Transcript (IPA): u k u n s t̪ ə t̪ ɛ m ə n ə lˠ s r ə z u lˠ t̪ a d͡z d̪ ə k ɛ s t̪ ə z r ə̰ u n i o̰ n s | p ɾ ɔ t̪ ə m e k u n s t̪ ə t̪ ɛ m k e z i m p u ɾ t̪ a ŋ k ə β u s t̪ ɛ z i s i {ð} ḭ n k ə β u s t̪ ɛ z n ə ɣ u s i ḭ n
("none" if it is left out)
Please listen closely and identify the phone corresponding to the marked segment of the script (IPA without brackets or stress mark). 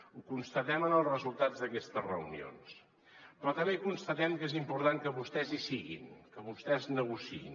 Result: ɣ